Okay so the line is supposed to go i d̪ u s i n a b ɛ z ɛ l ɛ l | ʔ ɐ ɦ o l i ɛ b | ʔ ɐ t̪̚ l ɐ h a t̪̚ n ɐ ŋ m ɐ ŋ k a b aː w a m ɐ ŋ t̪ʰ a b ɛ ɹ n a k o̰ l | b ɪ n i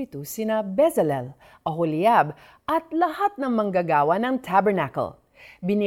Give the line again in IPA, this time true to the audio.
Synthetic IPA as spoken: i t̪ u s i n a b ɛ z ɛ l ɛ l | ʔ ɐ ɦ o l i a b | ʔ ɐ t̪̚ l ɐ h a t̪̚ n ɐ ŋ m ɐ ŋ ɡ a ɡ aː w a n ɐ ŋ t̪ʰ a b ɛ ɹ n a k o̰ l | b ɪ n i